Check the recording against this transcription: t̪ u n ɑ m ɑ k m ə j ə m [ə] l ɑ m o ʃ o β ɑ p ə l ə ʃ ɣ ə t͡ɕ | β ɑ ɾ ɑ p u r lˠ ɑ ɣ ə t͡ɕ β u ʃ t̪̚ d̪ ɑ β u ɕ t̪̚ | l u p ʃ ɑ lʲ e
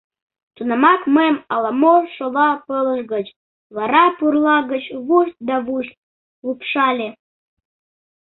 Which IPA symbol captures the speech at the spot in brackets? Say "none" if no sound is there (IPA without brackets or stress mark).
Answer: ɑ